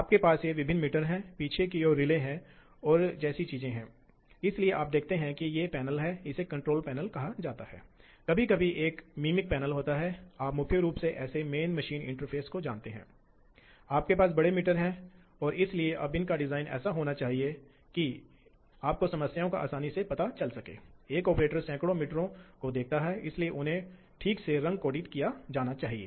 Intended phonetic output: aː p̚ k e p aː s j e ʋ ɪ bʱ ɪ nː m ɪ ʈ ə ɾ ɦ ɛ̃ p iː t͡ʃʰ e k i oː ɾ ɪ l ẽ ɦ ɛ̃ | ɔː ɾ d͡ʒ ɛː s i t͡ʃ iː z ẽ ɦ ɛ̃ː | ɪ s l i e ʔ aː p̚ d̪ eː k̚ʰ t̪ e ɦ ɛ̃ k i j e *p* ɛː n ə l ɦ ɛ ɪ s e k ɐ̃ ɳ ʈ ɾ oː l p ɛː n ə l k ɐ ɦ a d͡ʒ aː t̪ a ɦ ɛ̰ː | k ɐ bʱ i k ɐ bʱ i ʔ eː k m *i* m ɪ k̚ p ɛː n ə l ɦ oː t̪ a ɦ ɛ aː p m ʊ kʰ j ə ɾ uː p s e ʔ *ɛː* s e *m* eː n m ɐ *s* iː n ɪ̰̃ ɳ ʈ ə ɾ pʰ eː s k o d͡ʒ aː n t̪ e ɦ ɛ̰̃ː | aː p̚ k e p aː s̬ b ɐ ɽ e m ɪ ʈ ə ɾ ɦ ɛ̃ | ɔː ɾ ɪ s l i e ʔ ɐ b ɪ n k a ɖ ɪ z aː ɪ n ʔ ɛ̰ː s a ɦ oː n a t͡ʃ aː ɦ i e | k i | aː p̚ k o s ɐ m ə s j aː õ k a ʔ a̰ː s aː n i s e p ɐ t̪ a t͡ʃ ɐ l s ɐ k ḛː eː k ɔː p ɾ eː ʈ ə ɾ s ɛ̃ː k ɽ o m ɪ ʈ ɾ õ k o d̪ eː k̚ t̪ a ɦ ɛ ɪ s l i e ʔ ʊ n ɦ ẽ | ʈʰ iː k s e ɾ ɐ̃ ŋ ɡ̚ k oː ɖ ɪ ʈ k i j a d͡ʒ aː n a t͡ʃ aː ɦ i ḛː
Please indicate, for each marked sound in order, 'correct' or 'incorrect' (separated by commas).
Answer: correct, incorrect, correct, correct, incorrect